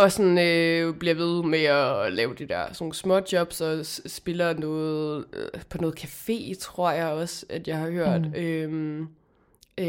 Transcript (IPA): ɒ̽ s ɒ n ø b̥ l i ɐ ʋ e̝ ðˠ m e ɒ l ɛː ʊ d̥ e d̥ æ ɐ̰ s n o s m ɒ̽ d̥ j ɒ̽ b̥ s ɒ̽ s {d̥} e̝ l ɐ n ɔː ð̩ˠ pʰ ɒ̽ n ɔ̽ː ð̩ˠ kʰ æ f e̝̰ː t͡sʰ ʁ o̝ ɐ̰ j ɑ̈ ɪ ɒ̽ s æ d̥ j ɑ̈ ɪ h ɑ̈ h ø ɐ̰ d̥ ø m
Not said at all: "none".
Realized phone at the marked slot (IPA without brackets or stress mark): b̥